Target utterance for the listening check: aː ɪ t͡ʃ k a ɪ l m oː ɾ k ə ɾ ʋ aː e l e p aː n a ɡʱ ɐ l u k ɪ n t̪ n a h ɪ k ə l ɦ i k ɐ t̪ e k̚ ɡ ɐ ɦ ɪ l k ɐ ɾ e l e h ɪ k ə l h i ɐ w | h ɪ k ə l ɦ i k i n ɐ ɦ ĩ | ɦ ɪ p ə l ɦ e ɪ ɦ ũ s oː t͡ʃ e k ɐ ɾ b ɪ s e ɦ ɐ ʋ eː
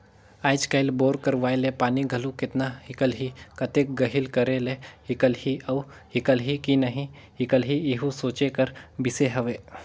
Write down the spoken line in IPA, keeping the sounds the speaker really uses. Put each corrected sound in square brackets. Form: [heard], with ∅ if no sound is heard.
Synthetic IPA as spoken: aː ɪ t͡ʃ k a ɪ l [b] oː ɾ k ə ɾ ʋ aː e l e p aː n [i] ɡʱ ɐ l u k ɪ [∅] t̪ n a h ɪ k ə l ɦ i k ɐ t̪ e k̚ ɡ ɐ ɦ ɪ l k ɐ ɾ e l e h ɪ k ə l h i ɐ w | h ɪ k ə l ɦ i k i n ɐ ɦ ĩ | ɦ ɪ [k] ə l ɦ [i] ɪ ɦ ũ s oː t͡ʃ e k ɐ ɾ b ɪ s e ɦ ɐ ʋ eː